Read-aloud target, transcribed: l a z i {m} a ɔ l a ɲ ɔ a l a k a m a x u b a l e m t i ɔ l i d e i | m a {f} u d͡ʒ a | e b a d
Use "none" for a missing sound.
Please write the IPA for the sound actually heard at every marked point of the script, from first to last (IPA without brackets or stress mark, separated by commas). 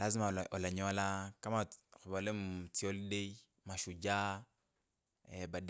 m, ʃ